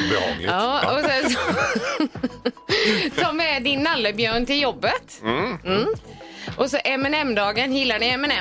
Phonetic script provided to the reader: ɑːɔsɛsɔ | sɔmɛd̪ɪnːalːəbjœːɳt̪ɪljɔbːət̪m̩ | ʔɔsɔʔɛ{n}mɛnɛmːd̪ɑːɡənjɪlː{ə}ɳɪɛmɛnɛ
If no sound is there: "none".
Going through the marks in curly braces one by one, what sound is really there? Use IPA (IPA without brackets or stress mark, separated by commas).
none, a